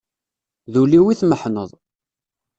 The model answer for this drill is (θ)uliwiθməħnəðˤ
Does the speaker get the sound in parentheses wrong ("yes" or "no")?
yes